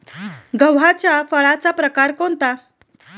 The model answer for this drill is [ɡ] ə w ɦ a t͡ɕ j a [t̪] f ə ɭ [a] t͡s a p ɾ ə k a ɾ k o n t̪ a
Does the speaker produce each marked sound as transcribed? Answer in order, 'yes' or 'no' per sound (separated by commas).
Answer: yes, no, yes